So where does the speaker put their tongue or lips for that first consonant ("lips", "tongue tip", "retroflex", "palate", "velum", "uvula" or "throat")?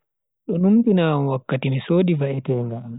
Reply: tongue tip